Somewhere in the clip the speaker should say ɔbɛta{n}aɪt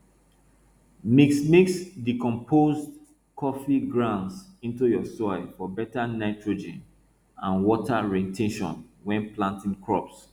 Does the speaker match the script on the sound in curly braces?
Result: yes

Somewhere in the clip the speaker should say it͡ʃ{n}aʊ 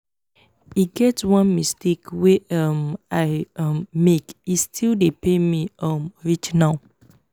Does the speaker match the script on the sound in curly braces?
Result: yes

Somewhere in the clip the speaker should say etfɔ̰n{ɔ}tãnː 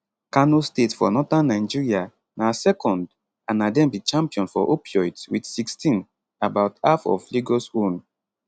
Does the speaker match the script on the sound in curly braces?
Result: yes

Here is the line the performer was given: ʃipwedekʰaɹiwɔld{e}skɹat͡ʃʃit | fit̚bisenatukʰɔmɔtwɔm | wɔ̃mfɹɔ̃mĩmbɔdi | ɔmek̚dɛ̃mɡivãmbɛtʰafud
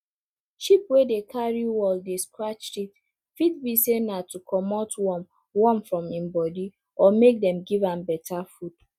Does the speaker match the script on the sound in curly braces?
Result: yes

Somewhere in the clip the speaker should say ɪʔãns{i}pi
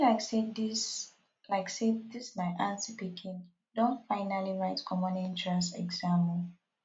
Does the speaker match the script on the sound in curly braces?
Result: yes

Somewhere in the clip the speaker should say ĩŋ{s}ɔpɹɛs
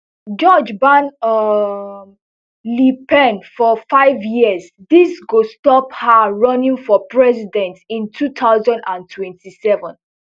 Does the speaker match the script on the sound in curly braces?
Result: no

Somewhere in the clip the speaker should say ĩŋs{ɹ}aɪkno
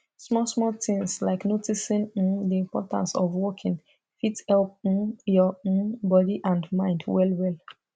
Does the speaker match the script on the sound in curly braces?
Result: no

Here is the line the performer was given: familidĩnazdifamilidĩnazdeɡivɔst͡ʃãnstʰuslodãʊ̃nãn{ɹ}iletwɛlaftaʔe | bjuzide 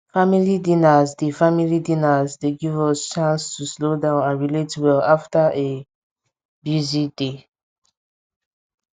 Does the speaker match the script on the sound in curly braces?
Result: yes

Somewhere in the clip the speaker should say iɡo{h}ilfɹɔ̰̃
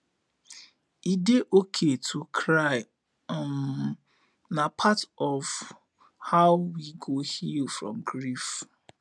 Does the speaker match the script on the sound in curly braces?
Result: yes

